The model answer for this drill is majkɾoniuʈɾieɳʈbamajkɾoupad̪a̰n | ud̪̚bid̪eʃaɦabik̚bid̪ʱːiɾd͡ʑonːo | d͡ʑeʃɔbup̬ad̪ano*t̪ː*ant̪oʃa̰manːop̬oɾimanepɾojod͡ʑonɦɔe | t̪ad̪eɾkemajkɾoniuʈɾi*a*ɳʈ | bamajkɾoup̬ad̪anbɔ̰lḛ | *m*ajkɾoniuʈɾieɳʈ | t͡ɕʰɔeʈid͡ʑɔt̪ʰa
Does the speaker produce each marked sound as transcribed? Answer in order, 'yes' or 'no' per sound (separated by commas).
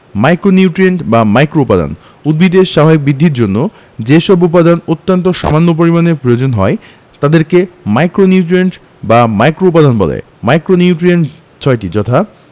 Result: yes, no, yes